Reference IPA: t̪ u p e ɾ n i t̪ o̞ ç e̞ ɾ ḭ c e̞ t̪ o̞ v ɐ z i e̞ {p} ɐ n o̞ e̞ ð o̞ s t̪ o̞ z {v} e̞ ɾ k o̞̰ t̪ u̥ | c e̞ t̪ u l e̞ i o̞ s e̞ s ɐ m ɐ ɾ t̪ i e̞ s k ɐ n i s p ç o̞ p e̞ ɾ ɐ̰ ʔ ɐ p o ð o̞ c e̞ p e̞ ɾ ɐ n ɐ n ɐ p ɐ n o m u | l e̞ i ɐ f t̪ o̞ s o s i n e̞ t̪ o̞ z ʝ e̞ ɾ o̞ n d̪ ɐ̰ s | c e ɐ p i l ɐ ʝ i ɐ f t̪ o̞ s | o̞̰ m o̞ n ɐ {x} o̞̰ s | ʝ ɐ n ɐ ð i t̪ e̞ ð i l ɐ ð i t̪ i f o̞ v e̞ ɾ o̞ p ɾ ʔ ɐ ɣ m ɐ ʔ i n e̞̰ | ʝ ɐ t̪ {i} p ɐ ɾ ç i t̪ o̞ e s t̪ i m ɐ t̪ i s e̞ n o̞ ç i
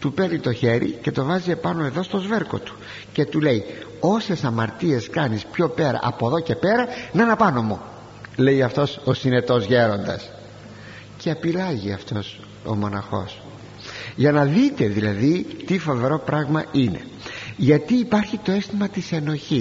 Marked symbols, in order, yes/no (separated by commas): yes, yes, yes, no